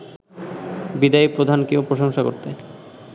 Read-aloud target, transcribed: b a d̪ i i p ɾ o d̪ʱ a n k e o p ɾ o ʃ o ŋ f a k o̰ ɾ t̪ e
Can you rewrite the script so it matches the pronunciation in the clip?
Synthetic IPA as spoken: b i d̪ a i p ɾ o d̪ʱ a n k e o p ɾ o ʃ o ŋ ʃ a k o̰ ɾ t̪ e